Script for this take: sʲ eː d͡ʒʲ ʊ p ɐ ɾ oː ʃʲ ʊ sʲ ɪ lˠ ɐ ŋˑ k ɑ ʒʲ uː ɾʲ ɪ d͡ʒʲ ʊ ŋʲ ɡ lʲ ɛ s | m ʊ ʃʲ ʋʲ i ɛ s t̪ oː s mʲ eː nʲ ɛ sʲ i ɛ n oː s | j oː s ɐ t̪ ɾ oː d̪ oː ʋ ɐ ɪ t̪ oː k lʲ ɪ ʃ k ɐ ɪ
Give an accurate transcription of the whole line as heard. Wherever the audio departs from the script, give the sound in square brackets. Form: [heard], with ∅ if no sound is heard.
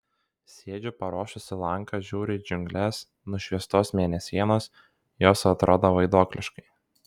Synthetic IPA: sʲ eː d͡ʒʲ ʊ p ɐ ɾ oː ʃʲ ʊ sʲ ɪ lˠ ɐ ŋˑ k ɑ ʒʲ uː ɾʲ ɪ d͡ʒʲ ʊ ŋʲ ɡ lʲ ɛ s | [n] ʊ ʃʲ ʋʲ i ɛ s t̪ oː s mʲ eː nʲ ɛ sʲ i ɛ n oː s | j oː s ɐ t̪ ɾ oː d̪ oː ʋ ɐ ɪ [d̪] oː k lʲ ɪ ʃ k ɐ ɪ

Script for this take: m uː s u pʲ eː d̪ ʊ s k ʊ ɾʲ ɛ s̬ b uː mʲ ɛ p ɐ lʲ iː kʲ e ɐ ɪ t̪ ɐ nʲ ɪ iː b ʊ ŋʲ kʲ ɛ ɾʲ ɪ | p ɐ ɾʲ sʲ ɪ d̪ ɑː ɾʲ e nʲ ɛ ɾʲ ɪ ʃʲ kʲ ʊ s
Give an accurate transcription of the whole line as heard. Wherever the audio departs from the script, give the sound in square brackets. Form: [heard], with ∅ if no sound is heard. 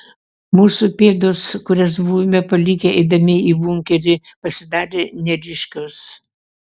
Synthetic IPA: m uː s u pʲ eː d̪ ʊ s k ʊ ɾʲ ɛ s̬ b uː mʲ ɛ p ɐ lʲ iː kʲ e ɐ ɪ [d̪] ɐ [mʲ] ɪ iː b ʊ ŋʲ kʲ ɛ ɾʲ ɪ | p ɐ [∅] sʲ ɪ d̪ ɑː ɾʲ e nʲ ɛ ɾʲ ɪ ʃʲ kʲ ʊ s

